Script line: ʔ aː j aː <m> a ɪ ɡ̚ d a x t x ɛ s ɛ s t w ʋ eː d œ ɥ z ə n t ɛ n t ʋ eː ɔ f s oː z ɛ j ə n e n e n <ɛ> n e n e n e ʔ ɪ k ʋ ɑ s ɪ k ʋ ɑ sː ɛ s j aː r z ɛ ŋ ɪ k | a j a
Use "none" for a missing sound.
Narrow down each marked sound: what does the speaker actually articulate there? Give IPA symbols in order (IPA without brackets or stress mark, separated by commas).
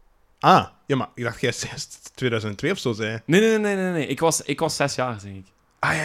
m, e